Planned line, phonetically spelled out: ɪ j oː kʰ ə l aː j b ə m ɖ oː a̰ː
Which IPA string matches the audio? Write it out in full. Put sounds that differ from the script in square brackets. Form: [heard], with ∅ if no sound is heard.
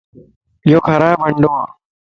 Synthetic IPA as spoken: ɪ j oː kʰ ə [ɾ] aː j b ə [ɳ] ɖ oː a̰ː